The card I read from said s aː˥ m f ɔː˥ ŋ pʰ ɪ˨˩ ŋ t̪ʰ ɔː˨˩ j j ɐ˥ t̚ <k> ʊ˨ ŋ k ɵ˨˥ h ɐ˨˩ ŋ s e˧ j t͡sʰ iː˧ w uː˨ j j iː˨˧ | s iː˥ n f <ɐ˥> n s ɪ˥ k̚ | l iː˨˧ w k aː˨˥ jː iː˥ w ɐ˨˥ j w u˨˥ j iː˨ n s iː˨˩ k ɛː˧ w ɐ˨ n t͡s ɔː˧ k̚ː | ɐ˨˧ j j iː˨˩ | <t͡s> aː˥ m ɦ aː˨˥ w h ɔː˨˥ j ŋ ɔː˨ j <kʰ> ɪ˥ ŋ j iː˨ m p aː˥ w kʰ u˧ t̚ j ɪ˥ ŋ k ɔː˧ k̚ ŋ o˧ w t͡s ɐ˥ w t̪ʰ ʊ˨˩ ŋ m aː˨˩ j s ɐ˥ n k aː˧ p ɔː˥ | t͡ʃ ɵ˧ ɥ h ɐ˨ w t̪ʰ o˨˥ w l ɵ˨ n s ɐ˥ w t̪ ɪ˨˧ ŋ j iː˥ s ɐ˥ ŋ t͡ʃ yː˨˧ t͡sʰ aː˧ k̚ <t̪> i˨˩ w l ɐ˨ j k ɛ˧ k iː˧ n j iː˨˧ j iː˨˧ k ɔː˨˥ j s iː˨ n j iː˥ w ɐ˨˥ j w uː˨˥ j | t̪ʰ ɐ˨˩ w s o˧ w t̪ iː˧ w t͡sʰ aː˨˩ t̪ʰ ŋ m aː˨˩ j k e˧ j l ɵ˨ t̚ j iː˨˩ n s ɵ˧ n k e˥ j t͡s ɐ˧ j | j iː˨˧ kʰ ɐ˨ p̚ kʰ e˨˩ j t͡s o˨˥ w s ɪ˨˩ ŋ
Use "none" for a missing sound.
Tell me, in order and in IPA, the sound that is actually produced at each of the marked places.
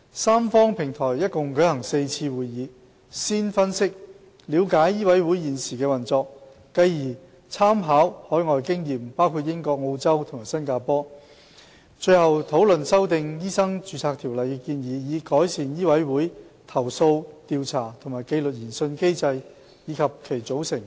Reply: k, ɐ˥, t͡sʰ, k, t̪ʰ

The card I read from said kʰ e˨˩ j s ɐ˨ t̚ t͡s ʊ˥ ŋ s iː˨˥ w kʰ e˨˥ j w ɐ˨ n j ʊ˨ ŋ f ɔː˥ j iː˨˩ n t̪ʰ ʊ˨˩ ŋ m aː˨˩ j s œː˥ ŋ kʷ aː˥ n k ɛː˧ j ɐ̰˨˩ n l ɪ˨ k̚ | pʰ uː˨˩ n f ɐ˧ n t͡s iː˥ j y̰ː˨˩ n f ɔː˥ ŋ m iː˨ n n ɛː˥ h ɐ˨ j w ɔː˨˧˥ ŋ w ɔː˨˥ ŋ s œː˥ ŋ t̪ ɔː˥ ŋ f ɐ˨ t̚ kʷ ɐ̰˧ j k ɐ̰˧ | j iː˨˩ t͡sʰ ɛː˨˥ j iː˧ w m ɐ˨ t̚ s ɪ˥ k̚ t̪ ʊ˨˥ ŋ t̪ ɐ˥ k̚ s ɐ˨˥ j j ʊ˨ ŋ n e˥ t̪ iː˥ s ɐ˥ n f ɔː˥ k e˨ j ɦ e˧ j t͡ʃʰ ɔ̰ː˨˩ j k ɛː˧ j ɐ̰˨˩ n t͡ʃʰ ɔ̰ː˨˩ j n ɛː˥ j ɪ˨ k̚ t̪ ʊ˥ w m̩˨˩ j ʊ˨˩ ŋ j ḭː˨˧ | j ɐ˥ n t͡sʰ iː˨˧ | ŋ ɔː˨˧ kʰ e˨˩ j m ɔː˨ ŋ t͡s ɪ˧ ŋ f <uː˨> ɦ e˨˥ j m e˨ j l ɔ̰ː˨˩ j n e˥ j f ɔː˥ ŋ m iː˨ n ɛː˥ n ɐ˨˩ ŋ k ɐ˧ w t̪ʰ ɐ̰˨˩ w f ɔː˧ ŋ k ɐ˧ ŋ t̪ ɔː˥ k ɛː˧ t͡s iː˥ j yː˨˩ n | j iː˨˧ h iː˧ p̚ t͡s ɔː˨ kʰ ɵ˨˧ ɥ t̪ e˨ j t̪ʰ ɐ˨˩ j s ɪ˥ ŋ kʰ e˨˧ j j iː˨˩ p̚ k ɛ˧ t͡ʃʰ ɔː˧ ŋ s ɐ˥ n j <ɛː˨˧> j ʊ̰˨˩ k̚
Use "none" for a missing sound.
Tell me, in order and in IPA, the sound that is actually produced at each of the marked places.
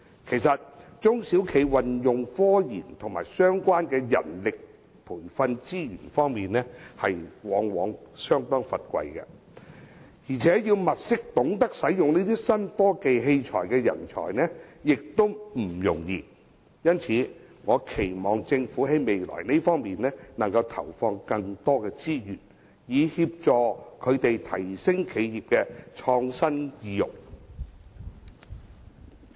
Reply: uː˨˥, iː˨˧

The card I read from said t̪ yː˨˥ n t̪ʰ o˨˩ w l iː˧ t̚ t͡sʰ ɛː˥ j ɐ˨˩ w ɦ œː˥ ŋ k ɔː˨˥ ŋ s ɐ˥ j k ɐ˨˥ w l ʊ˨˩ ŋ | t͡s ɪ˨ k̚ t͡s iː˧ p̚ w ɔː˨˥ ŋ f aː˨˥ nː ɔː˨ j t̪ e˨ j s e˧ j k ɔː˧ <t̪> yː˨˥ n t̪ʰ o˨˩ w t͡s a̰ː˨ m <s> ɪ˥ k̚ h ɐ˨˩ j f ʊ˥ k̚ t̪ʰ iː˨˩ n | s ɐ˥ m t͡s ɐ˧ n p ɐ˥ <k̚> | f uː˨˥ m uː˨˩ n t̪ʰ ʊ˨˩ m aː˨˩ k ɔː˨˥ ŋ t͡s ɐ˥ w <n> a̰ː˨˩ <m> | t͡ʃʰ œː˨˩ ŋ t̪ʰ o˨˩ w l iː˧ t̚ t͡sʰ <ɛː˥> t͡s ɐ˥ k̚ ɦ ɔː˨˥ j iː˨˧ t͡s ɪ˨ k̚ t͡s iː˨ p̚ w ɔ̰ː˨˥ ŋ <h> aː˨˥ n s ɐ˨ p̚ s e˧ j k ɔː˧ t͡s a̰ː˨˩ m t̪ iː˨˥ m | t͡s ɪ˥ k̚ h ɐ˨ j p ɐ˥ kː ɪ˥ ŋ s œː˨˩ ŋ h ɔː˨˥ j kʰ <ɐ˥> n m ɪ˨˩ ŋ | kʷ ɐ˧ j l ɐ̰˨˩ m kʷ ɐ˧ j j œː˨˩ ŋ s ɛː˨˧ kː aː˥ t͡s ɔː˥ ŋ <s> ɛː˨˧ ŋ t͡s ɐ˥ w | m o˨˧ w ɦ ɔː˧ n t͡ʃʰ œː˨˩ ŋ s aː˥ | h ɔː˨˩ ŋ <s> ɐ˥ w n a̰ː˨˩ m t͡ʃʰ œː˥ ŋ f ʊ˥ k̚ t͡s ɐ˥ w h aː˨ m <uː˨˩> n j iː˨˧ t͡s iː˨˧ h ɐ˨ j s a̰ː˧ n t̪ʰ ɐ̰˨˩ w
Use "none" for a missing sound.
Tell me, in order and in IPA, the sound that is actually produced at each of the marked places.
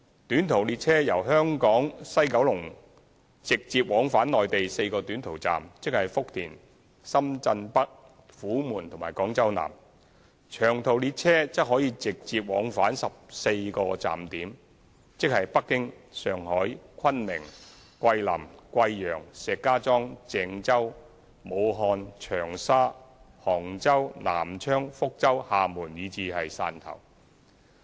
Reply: t̪, t͡s, k̚, n, m, ɛː˥, f, ɐ˥, t͡s, t͡s, uː˨˩

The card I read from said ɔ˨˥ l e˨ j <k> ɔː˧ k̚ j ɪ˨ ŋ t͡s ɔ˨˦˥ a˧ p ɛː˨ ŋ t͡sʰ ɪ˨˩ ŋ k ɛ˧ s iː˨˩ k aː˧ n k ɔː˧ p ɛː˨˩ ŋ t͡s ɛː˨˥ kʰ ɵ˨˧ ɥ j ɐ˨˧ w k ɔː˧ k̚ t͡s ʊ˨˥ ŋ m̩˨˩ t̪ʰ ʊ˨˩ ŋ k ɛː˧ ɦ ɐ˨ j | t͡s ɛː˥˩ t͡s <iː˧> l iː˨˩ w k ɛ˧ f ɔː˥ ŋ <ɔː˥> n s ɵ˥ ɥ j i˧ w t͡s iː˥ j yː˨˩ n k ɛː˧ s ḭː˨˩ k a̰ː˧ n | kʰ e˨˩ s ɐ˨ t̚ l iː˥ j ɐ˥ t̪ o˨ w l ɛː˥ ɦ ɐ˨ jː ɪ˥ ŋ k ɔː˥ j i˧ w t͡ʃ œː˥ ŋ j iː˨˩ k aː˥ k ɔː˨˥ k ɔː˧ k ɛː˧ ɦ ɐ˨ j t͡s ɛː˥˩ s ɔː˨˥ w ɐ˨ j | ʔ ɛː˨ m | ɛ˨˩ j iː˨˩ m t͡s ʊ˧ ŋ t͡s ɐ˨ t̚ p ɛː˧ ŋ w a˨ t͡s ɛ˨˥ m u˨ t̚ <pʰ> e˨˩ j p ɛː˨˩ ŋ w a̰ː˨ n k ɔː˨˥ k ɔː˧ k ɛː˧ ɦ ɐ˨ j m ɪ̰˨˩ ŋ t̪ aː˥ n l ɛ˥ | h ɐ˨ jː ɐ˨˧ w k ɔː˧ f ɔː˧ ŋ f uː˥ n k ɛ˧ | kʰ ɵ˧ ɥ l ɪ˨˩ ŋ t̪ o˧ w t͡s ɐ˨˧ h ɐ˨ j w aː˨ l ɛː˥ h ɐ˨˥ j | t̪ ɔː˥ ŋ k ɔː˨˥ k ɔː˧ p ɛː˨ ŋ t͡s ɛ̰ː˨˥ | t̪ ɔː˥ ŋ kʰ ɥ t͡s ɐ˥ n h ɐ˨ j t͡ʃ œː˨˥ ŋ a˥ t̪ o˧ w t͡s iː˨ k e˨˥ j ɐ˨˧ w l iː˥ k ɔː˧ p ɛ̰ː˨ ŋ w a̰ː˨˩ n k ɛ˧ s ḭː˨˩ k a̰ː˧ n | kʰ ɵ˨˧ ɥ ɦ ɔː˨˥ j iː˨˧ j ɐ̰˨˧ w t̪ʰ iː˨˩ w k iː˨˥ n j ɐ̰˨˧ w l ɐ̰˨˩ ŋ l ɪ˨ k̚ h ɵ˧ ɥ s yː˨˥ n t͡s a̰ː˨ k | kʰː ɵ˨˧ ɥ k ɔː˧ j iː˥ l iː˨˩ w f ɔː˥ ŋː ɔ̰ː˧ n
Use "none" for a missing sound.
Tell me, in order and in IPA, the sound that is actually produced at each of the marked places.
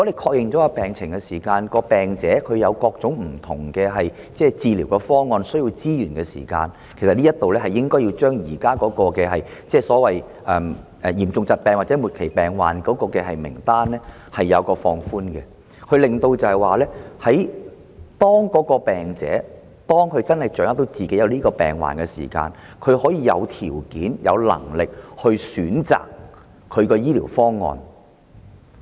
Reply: kʰ, iː˧, ɔː˧, kʰ

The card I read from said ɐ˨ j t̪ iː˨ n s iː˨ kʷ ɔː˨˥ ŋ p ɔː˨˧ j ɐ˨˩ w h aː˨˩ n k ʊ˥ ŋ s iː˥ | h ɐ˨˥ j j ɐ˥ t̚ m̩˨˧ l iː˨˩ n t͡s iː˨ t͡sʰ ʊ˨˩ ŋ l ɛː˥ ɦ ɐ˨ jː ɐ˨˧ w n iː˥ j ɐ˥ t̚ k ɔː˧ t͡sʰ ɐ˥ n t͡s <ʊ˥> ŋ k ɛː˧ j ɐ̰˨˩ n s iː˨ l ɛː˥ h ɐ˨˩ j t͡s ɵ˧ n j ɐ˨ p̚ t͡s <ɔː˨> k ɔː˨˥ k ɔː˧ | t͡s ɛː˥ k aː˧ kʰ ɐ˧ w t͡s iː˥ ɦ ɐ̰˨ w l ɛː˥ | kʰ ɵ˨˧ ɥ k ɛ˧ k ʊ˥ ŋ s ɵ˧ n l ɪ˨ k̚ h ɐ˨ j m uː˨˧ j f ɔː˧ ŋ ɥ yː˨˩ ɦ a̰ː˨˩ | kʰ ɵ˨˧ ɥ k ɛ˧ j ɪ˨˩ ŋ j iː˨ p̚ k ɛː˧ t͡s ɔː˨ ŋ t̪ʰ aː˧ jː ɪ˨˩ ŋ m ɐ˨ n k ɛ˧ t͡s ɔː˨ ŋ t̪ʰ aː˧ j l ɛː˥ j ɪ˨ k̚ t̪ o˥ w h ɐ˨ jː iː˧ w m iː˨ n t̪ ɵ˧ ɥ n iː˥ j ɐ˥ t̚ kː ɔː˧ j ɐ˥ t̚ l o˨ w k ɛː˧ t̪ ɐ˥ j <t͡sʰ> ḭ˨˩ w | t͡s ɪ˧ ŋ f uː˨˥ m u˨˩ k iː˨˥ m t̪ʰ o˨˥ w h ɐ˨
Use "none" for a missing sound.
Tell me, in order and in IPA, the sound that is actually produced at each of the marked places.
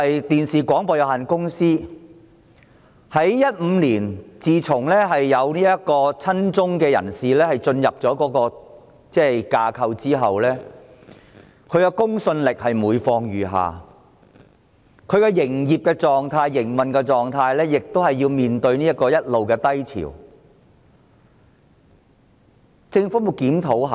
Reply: ʊ˥, ɔː˨˥, t͡sʰ

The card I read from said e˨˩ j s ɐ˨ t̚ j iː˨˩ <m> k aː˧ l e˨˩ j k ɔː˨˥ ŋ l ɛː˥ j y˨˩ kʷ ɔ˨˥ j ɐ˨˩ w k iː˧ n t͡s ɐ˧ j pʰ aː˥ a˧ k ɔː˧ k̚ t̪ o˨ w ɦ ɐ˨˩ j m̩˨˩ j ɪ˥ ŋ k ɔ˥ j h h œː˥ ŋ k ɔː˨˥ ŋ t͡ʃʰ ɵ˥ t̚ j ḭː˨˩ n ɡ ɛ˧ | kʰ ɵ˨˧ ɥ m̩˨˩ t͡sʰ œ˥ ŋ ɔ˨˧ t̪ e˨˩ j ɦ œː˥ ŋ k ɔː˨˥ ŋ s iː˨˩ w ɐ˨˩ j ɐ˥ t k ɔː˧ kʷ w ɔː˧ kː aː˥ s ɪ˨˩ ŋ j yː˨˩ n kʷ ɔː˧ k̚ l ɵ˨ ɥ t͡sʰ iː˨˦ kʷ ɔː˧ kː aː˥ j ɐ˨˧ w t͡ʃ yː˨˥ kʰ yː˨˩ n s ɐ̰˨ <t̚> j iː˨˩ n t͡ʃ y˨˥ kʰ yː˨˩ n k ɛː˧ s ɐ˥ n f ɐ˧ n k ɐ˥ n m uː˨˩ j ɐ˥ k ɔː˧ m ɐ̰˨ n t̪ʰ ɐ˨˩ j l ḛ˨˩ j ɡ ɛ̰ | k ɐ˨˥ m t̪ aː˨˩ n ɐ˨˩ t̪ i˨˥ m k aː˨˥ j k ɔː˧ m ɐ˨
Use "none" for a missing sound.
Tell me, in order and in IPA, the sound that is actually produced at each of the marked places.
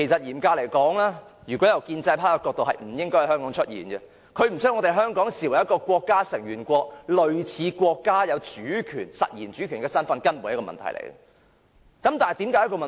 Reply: m, t̚

